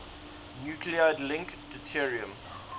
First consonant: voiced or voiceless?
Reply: voiced